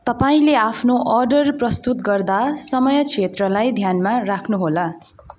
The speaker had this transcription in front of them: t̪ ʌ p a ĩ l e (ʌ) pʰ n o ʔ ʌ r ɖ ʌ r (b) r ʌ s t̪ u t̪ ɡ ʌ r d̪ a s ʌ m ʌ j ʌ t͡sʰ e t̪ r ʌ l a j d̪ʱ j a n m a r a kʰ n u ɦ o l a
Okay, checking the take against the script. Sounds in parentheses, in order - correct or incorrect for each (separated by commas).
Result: incorrect, incorrect